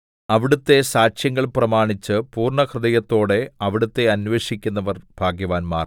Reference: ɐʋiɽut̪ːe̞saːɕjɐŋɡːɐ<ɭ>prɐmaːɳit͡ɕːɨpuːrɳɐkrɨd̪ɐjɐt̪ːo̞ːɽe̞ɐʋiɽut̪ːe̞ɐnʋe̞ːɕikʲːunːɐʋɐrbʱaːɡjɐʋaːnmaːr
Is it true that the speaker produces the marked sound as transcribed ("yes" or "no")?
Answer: yes